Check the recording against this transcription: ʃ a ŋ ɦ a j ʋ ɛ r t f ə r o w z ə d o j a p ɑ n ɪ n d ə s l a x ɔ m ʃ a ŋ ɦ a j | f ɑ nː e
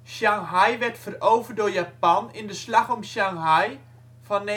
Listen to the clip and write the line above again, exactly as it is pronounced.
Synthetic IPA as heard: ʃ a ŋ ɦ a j ʋ ɛ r t f ə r o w v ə d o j a p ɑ n ɪ n d ə s l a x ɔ m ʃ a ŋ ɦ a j | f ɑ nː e